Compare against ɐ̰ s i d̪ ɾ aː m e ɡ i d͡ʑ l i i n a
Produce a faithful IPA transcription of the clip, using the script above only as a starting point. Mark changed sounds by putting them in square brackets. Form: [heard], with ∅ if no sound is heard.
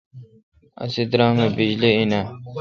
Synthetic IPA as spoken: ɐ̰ s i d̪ ɾ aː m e [b] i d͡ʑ l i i n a